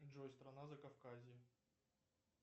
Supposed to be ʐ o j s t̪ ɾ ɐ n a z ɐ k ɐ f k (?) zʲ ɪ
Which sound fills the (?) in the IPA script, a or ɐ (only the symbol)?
a